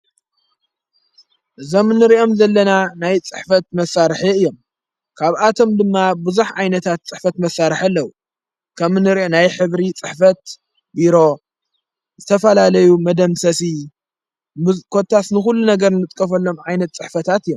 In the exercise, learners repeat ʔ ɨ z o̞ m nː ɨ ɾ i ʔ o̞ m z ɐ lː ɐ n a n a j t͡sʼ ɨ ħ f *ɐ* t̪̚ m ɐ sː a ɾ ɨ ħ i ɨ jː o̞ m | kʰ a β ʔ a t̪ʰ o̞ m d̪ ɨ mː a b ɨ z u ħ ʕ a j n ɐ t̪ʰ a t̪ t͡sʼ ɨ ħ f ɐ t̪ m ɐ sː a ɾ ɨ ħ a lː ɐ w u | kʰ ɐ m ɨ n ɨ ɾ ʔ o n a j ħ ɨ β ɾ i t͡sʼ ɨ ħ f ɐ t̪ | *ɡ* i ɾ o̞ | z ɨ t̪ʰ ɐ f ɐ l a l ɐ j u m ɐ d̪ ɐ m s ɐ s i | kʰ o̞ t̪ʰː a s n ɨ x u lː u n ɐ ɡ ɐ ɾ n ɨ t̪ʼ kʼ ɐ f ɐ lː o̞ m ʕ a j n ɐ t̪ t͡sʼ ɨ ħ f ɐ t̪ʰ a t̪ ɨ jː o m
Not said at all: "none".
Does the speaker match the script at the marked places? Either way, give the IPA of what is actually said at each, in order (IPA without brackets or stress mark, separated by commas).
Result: ɐ, b